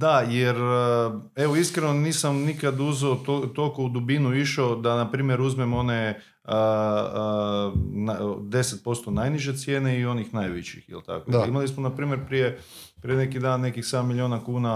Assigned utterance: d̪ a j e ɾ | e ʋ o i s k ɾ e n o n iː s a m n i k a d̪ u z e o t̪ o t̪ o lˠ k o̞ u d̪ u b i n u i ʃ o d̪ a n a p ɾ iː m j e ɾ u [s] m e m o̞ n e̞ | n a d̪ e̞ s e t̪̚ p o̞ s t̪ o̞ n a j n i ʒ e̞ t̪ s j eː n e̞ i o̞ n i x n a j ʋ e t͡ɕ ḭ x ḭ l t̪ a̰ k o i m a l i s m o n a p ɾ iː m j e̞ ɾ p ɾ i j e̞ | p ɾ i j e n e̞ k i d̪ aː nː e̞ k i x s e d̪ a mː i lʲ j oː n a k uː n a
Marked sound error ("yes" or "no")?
yes